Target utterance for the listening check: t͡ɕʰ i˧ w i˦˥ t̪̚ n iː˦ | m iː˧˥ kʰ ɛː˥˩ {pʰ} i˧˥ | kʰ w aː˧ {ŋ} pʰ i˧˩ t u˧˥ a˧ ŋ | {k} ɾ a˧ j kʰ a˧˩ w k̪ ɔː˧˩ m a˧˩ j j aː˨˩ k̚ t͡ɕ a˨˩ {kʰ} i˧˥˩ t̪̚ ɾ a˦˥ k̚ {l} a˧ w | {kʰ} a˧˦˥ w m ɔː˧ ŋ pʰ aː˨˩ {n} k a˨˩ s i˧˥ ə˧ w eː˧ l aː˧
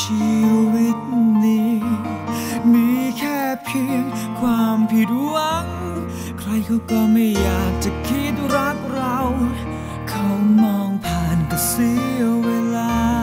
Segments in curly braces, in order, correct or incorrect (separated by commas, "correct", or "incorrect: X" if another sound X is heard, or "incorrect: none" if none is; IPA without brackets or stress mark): correct, incorrect: m, incorrect: kʰ, correct, incorrect: ɾ, correct, correct